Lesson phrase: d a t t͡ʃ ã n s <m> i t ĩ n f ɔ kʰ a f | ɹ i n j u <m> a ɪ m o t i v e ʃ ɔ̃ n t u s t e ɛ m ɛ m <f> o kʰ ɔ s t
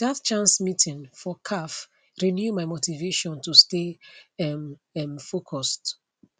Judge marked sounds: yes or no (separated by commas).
yes, yes, yes